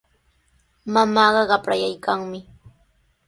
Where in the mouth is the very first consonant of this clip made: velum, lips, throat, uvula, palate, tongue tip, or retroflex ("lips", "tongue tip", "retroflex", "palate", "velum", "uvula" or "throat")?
lips